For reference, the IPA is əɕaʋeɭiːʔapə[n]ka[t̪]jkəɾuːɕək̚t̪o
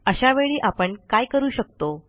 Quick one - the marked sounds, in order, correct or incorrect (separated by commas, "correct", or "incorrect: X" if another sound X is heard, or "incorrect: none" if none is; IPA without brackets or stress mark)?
incorrect: ɳ, incorrect: none